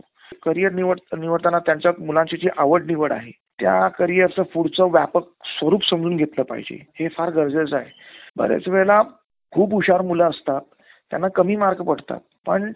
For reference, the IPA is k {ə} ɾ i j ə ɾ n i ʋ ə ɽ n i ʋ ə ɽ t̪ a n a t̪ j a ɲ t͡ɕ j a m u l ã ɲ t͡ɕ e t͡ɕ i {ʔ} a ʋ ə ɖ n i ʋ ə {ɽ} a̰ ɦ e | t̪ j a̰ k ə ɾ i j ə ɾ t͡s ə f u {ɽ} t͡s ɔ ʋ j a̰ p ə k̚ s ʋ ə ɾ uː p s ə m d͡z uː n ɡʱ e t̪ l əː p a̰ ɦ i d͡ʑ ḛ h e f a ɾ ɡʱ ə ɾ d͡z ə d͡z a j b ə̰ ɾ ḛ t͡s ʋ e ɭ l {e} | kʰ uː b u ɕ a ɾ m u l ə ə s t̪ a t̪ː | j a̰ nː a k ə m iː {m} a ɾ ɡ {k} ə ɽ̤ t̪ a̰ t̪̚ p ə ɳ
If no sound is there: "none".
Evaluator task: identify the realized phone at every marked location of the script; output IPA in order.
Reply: ə, ʔ, ɽ, ɽ, a, m, p

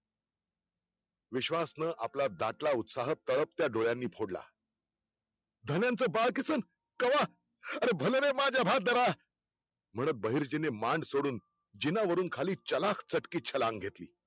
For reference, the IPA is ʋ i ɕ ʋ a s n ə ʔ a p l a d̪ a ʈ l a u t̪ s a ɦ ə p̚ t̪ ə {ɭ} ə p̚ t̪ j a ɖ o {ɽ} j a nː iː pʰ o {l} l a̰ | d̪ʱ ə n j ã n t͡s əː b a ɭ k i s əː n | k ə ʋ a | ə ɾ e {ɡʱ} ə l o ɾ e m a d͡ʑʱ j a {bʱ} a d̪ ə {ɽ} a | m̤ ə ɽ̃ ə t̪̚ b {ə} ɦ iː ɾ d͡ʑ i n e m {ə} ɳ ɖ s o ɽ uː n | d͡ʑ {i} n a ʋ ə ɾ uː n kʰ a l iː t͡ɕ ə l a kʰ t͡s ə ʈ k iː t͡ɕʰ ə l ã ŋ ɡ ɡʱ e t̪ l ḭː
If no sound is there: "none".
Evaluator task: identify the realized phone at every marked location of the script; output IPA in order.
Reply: ɭ, ɭ, ɽ, bʱ, bʱ, ɾ, ə, a, i

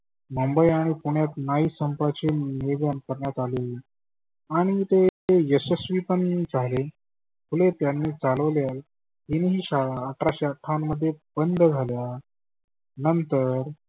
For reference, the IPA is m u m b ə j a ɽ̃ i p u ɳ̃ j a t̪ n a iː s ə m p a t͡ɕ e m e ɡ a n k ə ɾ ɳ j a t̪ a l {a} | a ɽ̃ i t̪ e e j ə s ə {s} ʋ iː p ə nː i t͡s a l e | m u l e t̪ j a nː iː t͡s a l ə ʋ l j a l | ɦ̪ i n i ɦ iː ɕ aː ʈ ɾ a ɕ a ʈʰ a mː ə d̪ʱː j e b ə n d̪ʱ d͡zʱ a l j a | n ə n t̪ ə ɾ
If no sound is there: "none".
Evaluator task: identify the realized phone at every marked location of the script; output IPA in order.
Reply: e, s

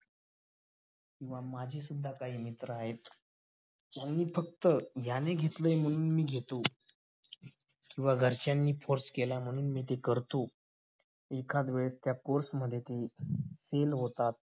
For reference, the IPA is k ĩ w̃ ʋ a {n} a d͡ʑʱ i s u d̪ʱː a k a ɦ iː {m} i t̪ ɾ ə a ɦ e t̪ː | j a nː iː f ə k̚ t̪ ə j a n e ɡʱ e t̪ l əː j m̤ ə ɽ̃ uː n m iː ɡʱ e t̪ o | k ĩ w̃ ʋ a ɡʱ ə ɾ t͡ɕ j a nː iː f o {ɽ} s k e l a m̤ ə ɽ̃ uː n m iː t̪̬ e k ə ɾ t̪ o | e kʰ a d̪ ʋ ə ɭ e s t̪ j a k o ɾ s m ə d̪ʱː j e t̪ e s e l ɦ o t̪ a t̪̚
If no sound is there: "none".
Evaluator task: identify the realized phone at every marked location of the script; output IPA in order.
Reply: m, m, ɾ

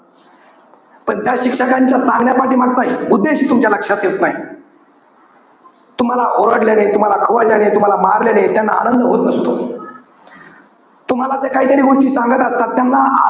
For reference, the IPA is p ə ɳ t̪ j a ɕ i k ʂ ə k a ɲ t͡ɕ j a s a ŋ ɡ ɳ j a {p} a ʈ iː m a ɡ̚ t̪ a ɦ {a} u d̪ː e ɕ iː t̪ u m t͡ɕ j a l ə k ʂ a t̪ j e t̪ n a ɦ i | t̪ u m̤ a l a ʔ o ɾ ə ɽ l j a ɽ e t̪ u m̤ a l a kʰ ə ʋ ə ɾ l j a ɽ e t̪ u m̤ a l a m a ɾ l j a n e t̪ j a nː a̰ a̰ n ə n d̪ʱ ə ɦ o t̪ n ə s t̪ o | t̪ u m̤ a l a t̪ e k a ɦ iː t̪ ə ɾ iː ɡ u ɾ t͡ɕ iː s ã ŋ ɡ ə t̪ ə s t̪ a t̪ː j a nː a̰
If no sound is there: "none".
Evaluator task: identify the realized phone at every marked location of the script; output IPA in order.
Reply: p, i

